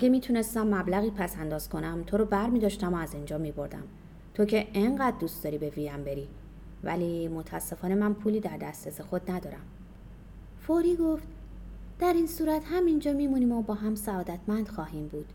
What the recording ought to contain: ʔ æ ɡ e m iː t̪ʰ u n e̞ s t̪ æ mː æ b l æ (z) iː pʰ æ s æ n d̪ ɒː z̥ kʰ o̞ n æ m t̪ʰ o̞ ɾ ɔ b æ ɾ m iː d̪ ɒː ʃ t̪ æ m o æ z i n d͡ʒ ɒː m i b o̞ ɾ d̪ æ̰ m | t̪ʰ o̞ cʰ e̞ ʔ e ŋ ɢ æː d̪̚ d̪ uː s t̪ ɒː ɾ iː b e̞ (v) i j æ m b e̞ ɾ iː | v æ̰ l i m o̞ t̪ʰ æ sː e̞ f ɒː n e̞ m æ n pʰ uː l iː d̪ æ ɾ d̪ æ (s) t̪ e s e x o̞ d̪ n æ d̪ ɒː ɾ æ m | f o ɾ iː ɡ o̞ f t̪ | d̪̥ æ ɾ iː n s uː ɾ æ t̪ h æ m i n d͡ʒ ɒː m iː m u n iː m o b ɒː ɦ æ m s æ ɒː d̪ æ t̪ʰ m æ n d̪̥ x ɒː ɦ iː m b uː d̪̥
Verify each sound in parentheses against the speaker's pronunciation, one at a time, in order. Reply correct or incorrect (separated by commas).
incorrect, correct, correct